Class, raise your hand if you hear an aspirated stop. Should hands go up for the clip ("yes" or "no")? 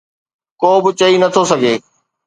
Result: yes